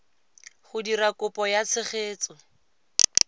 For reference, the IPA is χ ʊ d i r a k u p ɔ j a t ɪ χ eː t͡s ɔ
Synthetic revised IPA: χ ʊ d i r a k ʊ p ɔ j a t͡sʰ ɪ χ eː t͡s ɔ